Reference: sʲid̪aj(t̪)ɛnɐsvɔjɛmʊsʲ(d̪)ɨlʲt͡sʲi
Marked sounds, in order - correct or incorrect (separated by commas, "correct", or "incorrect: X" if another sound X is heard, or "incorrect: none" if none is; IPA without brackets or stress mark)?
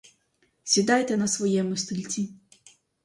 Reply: correct, incorrect: t̪